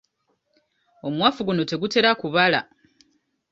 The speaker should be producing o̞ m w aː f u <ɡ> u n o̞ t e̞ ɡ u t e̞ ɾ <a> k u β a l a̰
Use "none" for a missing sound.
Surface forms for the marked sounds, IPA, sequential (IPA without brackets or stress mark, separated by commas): ɡ, a